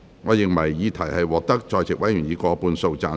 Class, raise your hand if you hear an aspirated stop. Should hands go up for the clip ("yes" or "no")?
yes